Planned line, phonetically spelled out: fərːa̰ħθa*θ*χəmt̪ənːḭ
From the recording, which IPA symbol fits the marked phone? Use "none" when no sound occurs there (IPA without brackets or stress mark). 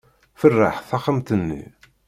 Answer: none